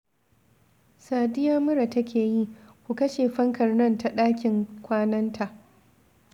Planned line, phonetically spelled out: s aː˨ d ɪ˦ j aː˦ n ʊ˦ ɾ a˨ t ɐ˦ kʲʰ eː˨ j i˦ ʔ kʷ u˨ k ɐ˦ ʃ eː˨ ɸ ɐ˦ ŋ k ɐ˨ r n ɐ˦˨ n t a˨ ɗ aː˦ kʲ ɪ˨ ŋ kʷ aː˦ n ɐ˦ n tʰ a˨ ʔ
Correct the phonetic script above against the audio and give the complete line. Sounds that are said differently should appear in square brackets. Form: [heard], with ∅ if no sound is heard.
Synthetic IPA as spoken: s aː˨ d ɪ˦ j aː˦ [m] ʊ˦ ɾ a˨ t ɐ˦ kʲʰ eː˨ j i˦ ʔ kʷ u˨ k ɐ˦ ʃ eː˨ ɸ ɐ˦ ŋ k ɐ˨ r n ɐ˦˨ n t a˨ ɗ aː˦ kʲ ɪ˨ ŋ kʷ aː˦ n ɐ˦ n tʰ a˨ ʔ